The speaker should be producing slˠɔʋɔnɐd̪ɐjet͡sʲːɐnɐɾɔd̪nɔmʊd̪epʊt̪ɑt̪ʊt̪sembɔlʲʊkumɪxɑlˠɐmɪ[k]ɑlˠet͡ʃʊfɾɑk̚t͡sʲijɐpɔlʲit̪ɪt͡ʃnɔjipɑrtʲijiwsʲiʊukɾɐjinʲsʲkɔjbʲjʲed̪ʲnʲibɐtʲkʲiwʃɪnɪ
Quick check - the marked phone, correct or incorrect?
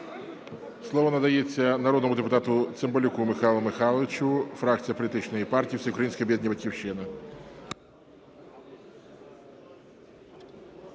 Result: incorrect